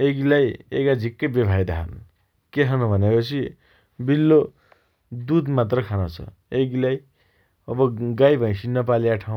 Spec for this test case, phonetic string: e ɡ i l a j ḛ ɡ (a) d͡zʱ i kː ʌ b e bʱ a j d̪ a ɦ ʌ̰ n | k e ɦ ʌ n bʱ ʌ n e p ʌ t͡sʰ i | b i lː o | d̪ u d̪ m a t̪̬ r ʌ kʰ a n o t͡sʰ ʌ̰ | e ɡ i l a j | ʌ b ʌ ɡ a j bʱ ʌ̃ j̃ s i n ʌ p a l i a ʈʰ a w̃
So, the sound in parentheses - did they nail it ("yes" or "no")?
yes